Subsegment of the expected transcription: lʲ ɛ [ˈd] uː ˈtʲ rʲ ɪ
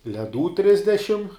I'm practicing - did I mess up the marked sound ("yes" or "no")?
no